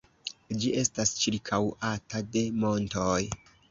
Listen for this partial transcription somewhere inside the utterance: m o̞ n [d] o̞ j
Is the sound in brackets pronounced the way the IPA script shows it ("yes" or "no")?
no